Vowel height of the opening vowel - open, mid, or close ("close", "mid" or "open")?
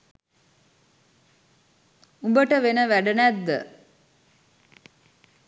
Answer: close